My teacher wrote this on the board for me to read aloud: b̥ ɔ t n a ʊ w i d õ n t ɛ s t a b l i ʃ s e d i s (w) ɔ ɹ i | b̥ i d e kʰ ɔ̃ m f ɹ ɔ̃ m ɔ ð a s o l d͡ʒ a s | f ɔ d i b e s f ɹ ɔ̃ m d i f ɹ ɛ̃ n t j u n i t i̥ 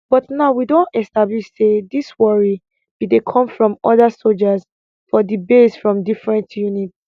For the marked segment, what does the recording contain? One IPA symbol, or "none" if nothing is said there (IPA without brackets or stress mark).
w